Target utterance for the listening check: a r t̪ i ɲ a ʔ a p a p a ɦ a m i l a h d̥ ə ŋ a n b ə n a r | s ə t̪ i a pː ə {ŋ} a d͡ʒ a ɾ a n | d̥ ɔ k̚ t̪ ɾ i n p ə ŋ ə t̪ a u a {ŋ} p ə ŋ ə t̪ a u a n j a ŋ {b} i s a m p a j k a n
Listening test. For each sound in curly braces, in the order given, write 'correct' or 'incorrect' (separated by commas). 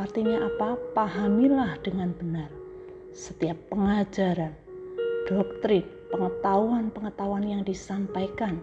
correct, incorrect, incorrect